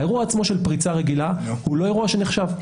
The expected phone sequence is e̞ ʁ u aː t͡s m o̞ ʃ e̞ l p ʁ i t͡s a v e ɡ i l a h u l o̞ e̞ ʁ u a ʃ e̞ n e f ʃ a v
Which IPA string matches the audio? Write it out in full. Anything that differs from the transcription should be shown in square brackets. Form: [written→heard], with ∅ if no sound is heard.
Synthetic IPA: e̞ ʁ u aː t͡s m o̞ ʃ e̞ l p ʁ i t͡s a [v→ʁ] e ɡ i l a h u l o̞ e̞ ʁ u a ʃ e̞ n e [f→χ] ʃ a v